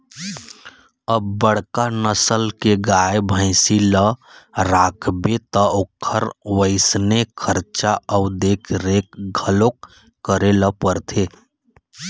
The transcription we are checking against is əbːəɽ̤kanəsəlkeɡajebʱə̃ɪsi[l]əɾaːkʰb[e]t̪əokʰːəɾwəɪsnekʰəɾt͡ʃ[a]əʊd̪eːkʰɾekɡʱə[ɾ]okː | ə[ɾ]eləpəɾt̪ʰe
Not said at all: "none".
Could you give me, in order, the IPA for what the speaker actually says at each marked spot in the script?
l, e, a, l, ɾ

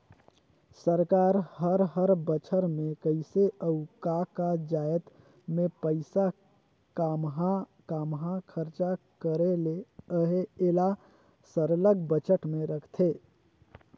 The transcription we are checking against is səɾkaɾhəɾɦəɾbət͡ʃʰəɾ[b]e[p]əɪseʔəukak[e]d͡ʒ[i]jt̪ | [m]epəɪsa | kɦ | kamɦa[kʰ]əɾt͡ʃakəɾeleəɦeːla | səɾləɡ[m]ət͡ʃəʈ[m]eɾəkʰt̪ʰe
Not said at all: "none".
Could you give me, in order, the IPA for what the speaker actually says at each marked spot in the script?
m, k, a, a, m, kʰ, b, m

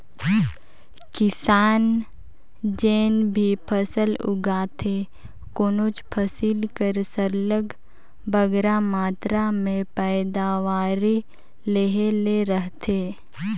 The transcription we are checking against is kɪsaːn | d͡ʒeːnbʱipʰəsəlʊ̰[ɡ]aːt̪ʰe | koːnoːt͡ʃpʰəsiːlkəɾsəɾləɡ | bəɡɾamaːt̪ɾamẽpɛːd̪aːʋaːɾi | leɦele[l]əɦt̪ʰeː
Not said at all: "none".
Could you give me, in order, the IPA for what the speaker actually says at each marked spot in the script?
ɡ, ɾ

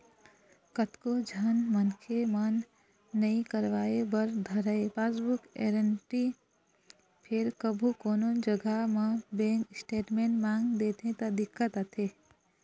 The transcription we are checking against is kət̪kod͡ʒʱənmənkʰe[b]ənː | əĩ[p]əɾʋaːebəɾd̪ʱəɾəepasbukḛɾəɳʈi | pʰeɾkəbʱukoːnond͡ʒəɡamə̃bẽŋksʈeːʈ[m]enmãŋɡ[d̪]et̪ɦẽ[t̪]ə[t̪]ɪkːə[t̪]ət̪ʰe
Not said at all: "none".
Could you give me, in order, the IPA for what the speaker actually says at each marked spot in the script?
m, k, m, d̪, t̪, d̪, t̪

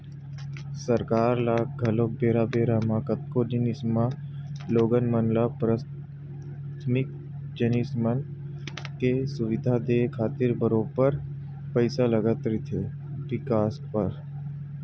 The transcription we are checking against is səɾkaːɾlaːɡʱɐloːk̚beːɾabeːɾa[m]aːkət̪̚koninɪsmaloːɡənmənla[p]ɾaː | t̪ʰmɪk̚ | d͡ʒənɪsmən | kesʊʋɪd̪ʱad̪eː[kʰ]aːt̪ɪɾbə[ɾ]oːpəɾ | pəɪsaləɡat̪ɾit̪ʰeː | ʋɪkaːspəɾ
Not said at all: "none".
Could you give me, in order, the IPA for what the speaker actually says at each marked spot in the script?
m, p, kʰ, ɾ

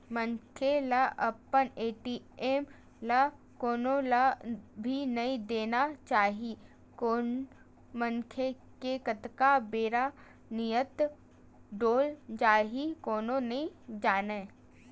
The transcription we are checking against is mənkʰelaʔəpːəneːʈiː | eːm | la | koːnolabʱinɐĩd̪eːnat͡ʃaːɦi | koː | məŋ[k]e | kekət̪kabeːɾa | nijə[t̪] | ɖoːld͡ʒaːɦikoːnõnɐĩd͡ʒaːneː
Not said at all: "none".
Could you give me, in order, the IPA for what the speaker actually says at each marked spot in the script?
kʰ, t̪

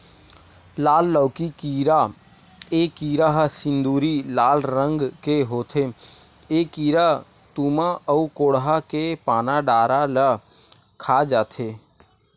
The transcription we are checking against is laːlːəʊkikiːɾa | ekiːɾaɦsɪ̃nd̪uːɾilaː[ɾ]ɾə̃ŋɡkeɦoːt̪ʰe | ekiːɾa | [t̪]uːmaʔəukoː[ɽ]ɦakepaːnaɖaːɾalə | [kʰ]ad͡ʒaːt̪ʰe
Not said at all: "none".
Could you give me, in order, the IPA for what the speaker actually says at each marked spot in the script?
l, t̪, ɽ, kʰ

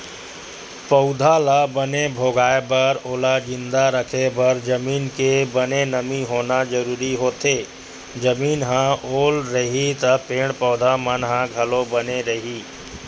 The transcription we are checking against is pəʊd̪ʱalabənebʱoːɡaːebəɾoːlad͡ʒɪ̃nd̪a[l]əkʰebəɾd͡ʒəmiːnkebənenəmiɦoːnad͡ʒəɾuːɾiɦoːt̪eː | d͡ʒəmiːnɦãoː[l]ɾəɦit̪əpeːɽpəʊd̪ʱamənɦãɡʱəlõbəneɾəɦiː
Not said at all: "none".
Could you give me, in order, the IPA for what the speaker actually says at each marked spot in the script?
ɾ, l

